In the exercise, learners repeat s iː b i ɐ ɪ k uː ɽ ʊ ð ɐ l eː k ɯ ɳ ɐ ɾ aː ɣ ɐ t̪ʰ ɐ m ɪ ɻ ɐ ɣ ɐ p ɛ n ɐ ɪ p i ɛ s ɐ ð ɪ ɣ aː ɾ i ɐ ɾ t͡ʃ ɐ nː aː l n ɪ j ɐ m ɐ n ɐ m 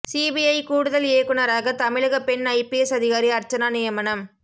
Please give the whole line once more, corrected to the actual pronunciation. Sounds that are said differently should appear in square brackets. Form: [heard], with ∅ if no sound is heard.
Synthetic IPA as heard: s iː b i ɐ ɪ k uː ɽ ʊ ð ɐ l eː k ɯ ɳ ɐ ɾ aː ɣ ɐ [t̪] ɐ m ɪ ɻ ɐ ɣ ɐ p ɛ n ɐ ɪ p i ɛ s ɐ ð ɪ ɣ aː ɾ i ɐ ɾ t͡ʃ ɐ [n] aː [∅] n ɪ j ɐ m ɐ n ɐ m